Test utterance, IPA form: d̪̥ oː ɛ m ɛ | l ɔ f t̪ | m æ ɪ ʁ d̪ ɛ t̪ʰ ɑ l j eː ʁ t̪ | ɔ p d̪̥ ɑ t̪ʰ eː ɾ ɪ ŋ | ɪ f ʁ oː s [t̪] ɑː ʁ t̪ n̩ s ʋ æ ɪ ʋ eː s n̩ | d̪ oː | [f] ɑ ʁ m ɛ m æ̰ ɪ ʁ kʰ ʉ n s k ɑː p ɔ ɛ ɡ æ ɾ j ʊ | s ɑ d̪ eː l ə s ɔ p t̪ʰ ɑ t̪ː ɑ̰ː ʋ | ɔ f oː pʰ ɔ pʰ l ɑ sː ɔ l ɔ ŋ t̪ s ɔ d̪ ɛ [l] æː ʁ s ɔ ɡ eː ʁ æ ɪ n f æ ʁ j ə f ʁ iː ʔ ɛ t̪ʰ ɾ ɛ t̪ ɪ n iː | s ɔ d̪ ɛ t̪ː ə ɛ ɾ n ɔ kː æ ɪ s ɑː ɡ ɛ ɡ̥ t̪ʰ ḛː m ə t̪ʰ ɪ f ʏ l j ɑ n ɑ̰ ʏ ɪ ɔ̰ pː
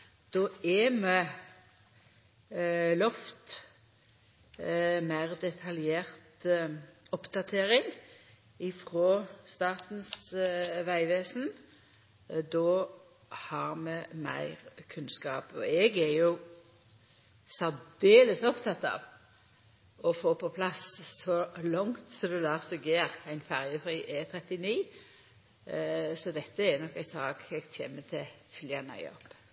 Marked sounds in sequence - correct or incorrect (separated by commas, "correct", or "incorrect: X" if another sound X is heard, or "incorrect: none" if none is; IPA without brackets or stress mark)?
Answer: correct, incorrect: h, correct